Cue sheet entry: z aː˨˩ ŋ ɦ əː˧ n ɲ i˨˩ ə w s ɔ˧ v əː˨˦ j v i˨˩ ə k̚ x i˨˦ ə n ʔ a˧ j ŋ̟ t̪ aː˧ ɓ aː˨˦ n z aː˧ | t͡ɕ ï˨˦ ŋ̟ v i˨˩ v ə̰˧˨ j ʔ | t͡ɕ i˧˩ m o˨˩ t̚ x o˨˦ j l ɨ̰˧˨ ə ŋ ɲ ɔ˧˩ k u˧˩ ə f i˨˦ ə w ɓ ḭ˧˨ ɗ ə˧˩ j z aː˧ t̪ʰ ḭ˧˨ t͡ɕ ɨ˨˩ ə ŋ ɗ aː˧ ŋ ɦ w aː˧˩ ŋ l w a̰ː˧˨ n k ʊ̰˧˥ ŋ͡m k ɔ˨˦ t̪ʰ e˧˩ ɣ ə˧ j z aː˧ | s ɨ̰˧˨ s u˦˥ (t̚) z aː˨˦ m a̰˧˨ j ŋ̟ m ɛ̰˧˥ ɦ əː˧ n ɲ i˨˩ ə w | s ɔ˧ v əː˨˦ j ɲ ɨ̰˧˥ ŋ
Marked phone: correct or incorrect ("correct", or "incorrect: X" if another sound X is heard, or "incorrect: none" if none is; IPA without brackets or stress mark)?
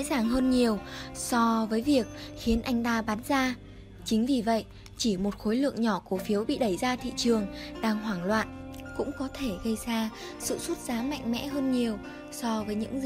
correct